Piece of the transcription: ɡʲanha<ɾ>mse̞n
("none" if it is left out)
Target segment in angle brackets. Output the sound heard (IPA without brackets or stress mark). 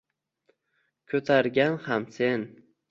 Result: none